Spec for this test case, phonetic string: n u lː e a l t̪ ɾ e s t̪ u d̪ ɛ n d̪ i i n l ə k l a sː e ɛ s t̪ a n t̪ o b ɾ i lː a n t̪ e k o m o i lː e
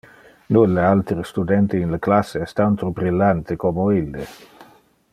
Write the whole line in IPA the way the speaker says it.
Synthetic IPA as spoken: n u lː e a l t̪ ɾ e s t̪ u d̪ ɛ n t̪ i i n l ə k l a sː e ɛ s t̪ a n t̪ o b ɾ i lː a n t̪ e k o m o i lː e